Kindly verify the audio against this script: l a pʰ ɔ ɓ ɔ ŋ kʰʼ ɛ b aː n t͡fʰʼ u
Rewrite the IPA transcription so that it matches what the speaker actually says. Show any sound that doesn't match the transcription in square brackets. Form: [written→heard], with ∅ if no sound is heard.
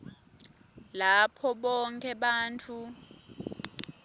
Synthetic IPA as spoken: l a pʰ ɔ ɓ ɔ ŋ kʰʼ ɛ [b→ɓ] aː n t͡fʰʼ u